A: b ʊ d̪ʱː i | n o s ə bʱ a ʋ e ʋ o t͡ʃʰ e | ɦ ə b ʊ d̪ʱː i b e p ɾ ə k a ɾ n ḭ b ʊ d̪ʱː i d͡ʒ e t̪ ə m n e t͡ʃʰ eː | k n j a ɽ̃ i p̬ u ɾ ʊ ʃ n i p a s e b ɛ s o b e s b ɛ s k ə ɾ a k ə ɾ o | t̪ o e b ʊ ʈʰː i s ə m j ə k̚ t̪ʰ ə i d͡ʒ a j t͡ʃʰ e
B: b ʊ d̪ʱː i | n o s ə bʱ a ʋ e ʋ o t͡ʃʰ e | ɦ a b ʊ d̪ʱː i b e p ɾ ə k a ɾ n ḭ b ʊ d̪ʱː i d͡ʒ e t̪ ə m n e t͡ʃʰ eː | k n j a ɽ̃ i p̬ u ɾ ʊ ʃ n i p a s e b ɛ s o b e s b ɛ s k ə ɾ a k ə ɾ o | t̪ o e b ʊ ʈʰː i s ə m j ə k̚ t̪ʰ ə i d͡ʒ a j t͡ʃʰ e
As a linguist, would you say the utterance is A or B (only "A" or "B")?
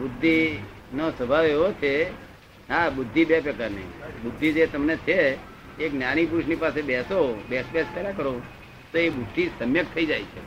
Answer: B